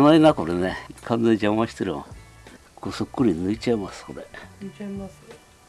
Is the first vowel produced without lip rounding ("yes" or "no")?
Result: yes